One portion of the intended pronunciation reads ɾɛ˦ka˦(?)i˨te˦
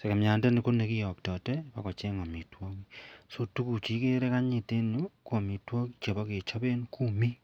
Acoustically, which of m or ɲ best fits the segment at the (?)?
ɲ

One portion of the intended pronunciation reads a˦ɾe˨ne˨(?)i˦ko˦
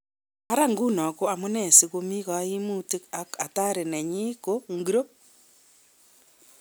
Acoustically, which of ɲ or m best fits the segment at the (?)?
ɲ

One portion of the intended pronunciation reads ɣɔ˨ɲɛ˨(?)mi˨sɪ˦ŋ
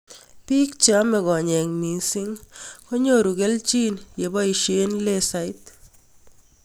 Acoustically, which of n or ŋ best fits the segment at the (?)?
ŋ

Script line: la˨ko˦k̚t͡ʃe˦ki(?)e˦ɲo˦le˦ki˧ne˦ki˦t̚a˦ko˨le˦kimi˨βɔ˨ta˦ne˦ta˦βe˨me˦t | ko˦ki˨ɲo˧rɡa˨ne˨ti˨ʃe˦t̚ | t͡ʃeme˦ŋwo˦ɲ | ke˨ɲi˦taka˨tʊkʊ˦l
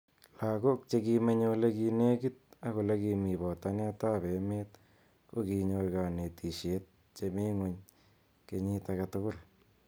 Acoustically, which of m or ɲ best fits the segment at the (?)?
m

